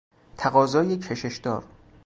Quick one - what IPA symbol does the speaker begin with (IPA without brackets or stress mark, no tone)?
t̪ʰ